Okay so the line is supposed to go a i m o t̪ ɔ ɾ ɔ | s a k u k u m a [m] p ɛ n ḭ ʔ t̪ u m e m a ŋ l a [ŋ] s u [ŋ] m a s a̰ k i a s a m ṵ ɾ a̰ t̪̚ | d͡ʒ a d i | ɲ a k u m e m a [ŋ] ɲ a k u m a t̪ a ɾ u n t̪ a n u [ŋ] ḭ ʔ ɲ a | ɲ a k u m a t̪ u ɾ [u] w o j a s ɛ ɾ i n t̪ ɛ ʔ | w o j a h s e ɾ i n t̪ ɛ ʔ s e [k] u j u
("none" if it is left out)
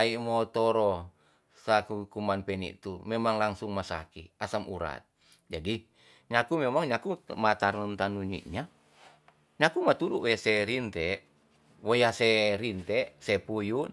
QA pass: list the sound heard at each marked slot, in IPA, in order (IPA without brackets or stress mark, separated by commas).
n, ŋ, ŋ, ŋ, ɲ, u, p